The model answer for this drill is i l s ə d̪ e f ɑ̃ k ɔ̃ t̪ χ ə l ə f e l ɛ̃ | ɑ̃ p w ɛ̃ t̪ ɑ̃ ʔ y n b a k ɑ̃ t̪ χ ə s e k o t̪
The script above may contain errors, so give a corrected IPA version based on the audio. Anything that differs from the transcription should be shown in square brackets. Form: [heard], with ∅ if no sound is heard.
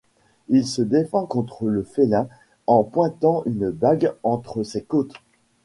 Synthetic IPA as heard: i l s ə d̪ e f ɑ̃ k ɔ̃ t̪ χ ə l ə f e l ɛ̃ | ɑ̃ p w ɛ̃ t̪ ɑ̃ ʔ y n b a [ɡ] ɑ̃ t̪ χ ə s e k o t̪